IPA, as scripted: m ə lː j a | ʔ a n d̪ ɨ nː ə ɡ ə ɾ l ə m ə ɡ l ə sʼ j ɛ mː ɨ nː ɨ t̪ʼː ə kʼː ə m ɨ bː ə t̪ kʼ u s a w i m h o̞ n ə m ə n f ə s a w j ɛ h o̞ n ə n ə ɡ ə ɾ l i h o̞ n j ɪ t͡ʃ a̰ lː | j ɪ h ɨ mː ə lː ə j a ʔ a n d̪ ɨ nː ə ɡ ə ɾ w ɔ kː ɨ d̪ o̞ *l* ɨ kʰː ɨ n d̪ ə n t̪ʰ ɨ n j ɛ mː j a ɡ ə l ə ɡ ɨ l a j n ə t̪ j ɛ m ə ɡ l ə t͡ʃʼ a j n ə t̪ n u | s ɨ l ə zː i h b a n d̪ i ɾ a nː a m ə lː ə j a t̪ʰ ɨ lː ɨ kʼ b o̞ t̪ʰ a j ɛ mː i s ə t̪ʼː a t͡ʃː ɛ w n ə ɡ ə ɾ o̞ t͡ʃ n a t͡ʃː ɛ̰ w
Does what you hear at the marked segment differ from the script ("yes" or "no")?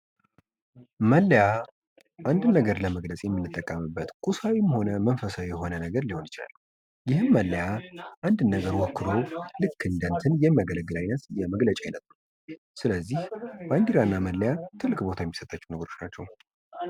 no